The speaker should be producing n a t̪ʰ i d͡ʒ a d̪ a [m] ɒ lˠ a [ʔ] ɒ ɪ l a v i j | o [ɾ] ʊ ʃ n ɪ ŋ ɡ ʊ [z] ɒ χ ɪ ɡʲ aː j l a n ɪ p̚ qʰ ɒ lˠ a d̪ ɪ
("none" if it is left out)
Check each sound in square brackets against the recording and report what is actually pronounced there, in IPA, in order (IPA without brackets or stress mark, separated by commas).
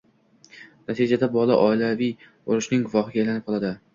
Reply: b, ʔ, ɾ, v